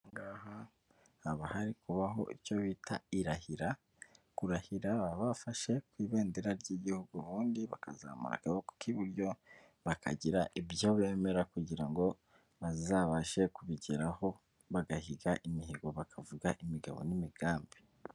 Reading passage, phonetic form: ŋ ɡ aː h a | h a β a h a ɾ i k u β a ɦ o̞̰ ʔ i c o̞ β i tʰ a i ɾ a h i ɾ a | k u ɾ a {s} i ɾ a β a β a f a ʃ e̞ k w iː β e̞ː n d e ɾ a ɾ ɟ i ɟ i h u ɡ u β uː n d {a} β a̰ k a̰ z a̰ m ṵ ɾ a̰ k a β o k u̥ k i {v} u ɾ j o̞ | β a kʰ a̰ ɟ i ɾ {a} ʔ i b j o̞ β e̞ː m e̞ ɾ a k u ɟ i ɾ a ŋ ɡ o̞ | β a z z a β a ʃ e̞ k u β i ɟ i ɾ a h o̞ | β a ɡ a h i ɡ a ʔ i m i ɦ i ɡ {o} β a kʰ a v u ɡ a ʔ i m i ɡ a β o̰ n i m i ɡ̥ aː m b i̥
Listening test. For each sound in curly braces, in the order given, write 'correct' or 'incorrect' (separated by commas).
incorrect, incorrect, incorrect, correct, correct